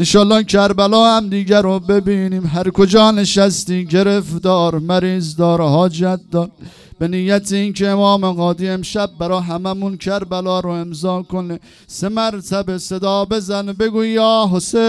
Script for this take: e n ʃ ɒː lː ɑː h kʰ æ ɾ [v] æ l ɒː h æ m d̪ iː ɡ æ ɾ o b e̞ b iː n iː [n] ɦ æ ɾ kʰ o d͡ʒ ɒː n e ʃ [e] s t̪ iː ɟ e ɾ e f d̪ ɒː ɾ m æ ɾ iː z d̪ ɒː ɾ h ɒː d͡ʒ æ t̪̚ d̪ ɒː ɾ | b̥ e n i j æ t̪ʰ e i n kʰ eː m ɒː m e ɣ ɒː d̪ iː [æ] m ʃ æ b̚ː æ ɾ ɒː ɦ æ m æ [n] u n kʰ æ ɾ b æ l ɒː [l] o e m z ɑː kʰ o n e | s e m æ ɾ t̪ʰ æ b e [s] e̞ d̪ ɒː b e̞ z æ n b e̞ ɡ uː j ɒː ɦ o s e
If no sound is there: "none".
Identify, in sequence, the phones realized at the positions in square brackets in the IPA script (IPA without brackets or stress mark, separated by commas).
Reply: b, m, æ, e, m, ɾ, s